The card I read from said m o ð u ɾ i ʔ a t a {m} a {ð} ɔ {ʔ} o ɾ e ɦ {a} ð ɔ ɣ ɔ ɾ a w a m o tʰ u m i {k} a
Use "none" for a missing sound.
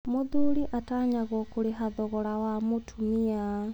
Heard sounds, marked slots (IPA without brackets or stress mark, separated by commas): ɲ, ɣ, k, a, none